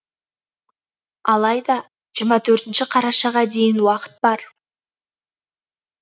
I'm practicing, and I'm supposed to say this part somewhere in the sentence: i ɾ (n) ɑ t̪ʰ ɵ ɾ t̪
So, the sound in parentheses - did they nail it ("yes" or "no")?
no